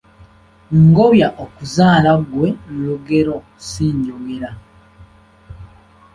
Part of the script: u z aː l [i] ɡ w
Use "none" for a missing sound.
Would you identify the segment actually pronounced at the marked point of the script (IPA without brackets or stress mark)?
a